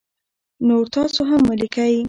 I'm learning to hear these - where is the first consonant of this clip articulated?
tongue tip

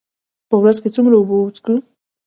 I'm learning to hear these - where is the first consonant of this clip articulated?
lips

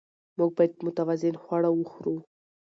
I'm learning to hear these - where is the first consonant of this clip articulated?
lips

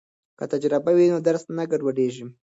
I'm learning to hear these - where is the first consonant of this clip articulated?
velum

